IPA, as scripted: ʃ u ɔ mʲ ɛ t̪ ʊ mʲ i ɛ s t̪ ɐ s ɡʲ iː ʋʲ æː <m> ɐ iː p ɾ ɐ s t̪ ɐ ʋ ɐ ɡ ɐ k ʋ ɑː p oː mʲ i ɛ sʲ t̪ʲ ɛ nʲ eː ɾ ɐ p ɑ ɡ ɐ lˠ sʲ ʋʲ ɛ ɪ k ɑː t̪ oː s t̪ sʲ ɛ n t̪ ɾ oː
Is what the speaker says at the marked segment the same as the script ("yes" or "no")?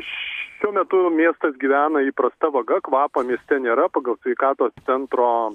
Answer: no